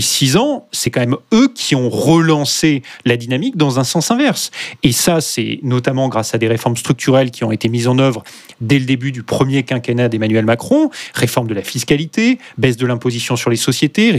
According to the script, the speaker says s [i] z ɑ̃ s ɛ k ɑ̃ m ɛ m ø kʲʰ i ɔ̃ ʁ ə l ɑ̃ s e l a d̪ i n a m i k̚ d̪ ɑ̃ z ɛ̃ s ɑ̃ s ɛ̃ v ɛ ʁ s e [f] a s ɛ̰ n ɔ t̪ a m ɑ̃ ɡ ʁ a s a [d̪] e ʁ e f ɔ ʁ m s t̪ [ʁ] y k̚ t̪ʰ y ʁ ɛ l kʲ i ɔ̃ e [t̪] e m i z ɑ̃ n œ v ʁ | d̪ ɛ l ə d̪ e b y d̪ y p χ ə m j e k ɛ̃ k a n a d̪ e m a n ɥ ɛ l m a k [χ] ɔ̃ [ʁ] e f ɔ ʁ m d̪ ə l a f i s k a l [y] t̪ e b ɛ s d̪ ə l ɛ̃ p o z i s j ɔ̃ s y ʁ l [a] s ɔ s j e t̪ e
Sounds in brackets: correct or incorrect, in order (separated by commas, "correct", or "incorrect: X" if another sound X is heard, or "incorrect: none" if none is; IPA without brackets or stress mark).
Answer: correct, incorrect: s, correct, incorrect: χ, correct, correct, correct, incorrect: i, incorrect: e